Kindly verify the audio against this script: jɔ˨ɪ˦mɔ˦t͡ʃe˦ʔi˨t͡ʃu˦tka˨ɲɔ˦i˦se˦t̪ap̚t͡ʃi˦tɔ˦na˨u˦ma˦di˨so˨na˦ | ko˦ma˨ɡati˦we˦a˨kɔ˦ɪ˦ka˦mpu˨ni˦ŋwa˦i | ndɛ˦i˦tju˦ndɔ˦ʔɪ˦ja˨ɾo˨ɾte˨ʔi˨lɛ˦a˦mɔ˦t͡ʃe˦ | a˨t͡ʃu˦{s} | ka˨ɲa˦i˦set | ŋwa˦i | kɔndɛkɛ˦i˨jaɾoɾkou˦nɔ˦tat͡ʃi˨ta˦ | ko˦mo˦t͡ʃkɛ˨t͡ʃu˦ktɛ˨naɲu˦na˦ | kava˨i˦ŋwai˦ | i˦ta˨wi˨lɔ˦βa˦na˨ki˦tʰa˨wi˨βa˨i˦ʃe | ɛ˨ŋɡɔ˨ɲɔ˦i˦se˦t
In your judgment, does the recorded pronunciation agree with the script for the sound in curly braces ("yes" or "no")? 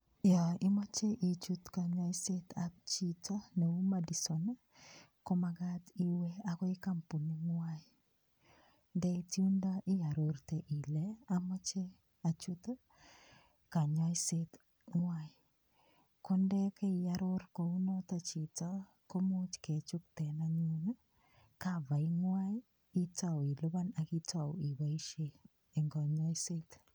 no